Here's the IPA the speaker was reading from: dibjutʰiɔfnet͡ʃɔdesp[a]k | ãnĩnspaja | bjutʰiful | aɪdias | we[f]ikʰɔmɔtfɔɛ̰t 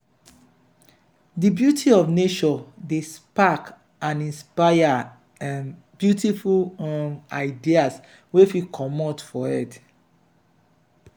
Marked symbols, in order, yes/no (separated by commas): yes, yes